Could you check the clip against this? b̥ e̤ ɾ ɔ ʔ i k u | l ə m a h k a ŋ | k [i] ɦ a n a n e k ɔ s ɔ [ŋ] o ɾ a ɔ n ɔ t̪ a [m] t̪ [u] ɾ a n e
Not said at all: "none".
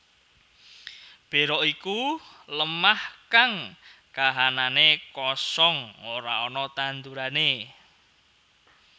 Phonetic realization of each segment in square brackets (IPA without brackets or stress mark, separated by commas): a, ŋ, n, u